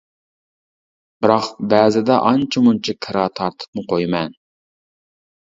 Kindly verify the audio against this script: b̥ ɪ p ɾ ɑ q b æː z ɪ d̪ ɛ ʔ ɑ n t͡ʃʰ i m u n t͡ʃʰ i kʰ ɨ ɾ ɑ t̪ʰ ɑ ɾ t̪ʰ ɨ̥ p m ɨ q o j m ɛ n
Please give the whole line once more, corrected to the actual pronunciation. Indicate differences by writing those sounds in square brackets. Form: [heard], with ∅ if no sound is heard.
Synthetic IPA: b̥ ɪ [∅] ɾ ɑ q b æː z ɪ d̪ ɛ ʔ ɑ n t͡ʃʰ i m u n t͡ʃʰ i kʰ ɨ ɾ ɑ t̪ʰ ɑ ɾ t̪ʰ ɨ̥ p m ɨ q o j m ɛ n